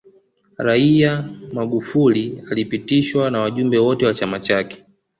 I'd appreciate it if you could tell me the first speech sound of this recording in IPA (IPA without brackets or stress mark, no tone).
ɾ